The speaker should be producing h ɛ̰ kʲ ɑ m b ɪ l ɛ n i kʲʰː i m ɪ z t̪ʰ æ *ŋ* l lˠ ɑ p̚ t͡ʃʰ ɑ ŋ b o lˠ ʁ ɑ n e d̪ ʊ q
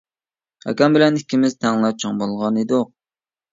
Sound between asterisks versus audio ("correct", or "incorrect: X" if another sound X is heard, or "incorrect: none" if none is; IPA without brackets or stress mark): correct